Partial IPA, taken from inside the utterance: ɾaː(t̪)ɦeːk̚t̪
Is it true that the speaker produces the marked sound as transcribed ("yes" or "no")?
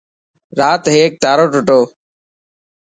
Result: yes